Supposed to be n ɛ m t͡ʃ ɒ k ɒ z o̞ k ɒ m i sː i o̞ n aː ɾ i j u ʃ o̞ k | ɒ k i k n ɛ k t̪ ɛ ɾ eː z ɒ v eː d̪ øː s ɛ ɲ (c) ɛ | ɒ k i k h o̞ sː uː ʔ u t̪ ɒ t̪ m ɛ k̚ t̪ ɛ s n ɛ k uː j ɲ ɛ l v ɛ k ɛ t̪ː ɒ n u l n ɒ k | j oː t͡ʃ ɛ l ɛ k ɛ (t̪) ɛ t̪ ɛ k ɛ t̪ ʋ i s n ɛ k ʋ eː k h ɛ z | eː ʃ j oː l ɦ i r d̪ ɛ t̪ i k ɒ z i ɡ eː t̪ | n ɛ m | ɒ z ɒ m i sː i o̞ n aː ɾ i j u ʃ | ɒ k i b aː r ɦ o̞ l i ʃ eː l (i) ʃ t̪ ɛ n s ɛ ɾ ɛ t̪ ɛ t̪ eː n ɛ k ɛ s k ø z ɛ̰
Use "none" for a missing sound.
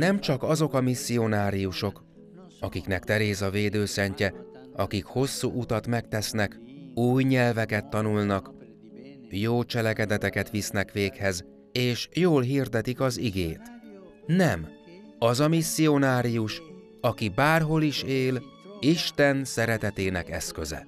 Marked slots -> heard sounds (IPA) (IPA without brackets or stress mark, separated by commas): c, d̪, i